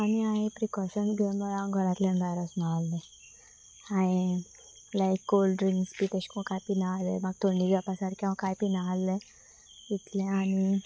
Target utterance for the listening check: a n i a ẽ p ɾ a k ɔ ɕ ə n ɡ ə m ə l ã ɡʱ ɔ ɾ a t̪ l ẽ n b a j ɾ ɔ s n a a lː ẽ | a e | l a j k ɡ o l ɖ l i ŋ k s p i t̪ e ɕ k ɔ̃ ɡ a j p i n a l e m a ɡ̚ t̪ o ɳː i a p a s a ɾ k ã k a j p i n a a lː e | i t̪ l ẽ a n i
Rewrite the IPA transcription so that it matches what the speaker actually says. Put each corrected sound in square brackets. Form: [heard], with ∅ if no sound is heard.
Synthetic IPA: a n i a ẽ p ɾ [i] k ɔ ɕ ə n ɡ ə m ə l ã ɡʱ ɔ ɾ a t̪ l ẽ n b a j ɾ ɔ s n a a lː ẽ | a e | l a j k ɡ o l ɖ [ɾ] i ŋ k s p i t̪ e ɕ k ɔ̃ [k] a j p i n a l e m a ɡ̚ t̪ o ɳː i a p a s a ɾ k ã k a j p i n a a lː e | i t̪ l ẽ a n i